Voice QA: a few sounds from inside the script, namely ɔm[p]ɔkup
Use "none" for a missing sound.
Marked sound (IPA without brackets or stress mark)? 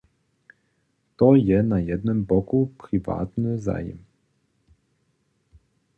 b